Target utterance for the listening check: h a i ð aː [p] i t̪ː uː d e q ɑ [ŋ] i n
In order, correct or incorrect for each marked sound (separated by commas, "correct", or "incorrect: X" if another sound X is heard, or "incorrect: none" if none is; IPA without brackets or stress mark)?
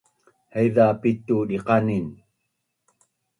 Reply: correct, incorrect: n